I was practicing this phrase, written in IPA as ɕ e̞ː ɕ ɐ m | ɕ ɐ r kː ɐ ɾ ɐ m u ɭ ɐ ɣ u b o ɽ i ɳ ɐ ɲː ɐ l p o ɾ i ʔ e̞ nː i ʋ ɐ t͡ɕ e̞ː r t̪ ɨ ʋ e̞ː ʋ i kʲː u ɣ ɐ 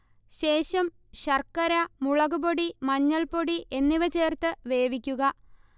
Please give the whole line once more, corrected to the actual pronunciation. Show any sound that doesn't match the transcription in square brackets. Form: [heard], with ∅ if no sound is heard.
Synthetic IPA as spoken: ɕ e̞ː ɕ ɐ m | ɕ ɐ r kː ɐ ɾ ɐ m u ɭ ɐ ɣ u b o ɽ i [m] ɐ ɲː ɐ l p o [ɽ] i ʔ e̞ nː i ʋ ɐ t͡ɕ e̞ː r t̪ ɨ ʋ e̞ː ʋ i kʲː u ɣ ɐ

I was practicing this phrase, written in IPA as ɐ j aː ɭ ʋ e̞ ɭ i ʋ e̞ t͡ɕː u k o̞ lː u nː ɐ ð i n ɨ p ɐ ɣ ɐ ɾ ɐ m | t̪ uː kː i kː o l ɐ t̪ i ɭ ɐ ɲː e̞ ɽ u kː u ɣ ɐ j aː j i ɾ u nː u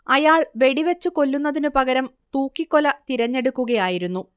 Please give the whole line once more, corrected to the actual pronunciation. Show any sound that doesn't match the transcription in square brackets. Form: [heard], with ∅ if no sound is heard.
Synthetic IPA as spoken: ɐ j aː ɭ ʋ e̞ [ɽ] i ʋ e̞ t͡ɕː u k o̞ lː u nː ɐ ð i n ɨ p ɐ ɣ ɐ ɾ ɐ m | t̪ uː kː i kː o l ɐ t̪ i [ɾ] ɐ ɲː e̞ ɽ u kː u ɣ ɐ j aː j i ɾ u nː u

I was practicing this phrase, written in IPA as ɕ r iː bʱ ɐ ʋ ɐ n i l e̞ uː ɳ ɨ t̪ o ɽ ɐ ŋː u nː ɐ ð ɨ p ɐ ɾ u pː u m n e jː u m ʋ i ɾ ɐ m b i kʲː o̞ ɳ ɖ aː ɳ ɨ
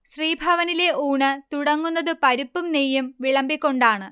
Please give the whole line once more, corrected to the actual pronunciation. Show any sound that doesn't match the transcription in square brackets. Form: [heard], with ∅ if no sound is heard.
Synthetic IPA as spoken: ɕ r iː bʱ ɐ ʋ ɐ n i l e̞ uː ɳ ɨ t̪ [u] ɽ ɐ ŋː u nː ɐ ð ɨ p ɐ ɾ u pː u m n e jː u m ʋ i [ɭ] ɐ m b i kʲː o̞ ɳ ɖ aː ɳ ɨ

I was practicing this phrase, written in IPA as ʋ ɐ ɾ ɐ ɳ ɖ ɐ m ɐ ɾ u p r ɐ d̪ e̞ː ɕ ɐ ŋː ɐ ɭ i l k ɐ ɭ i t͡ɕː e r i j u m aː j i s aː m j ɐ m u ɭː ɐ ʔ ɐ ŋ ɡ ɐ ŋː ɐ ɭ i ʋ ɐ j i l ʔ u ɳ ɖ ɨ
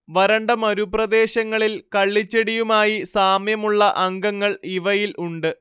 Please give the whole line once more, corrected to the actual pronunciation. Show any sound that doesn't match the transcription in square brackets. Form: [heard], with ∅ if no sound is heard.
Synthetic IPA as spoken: ʋ ɐ ɾ ɐ ɳ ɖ ɐ m ɐ ɾ u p r ɐ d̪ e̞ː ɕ ɐ ŋː ɐ ɭ i l k ɐ [ɭː] i t͡ɕː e [ɽ] i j u m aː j i s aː m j ɐ m u ɭː ɐ ʔ ɐ ŋ ɡ ɐ ŋː ɐ ɭ i ʋ ɐ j i l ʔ u ɳ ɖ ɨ

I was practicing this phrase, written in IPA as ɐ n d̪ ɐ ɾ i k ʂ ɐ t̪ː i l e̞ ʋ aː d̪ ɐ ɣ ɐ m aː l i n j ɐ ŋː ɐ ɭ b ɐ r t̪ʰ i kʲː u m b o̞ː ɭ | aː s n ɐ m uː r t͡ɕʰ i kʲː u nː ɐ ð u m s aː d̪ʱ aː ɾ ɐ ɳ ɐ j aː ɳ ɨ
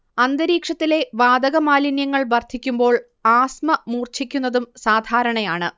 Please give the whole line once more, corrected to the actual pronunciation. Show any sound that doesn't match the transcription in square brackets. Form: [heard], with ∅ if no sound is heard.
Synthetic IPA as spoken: ɐ n d̪ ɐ ɾ [iː] k ʂ ɐ t̪ː i l e̞ ʋ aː d̪ ɐ ɣ ɐ m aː l i n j ɐ ŋː ɐ ɭ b ɐ r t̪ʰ i kʲː u m b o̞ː ɭ | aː s [m] ɐ m uː r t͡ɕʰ i kʲː u nː ɐ ð u m s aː d̪ʱ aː ɾ ɐ ɳ ɐ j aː ɳ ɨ

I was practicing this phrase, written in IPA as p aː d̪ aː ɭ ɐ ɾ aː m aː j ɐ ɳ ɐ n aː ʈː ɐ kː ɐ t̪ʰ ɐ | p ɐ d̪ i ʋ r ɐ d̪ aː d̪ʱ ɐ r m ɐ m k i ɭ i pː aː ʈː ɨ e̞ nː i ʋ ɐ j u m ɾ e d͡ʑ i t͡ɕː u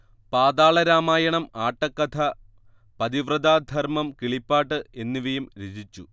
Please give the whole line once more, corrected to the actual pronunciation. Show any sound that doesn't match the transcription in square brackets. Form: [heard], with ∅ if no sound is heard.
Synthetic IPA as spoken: p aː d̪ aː ɭ ɐ ɾ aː m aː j ɐ ɳ ɐ [m] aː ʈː ɐ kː ɐ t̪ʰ ɐ | p ɐ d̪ i ʋ r ɐ d̪ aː d̪ʱ ɐ r m ɐ m k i ɭ i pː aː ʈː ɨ e̞ nː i ʋ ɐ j u m ɾ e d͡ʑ i t͡ɕː u

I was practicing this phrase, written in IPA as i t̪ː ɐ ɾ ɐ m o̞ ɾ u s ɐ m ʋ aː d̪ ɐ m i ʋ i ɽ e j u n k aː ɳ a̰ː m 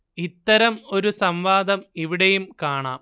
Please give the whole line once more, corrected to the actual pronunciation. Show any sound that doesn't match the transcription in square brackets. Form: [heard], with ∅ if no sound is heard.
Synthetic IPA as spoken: i t̪ː ɐ ɾ ɐ m o̞ ɾ u s ɐ m ʋ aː d̪ ɐ m i ʋ i ɽ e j u [m] k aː ɳ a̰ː m

